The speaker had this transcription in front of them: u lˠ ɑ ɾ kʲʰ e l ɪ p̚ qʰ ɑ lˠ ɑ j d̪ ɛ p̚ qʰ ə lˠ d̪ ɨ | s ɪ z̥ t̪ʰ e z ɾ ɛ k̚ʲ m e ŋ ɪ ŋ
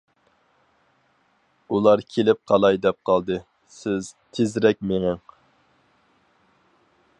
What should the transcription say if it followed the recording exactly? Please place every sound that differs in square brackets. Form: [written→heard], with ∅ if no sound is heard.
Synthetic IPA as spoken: u lˠ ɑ ɾ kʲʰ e l ɪ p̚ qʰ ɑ lˠ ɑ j d̪ ɛ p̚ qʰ [ə→ɑ] lˠ d̪ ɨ | s ɪ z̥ t̪ʰ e z ɾ ɛ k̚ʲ m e ŋ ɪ ŋ